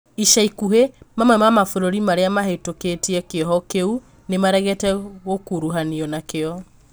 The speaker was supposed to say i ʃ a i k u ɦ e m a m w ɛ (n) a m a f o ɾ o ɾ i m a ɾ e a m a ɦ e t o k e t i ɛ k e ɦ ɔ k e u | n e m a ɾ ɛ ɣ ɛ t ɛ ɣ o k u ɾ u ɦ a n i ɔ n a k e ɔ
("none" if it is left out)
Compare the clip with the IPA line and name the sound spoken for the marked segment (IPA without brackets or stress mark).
m